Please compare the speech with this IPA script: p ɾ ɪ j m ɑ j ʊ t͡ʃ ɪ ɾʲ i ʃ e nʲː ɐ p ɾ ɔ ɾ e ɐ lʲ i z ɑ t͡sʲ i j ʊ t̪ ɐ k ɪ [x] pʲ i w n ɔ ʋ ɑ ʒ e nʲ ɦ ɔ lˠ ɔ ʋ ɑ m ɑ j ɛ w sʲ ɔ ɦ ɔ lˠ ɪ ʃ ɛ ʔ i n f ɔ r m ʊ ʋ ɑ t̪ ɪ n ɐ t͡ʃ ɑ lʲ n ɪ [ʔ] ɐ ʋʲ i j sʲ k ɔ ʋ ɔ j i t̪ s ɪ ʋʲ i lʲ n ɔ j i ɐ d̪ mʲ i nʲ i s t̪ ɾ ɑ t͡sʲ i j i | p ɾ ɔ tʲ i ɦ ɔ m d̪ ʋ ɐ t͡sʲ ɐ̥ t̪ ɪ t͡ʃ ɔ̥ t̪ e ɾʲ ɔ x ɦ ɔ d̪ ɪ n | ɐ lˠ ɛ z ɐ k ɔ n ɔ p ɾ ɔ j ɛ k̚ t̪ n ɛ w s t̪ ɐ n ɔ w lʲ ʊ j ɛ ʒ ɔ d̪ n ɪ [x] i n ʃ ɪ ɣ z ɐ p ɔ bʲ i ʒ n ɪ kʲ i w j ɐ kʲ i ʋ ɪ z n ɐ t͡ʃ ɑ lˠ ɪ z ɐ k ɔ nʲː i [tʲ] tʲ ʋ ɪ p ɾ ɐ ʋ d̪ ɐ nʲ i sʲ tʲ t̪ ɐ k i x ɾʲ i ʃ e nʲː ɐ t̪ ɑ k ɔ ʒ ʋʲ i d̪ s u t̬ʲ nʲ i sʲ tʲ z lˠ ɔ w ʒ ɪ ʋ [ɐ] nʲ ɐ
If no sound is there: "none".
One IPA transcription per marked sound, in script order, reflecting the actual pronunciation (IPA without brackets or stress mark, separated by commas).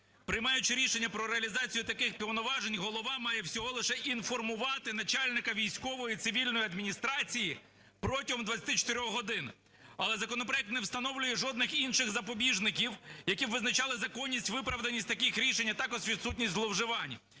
x, k, x, sʲ, ɑ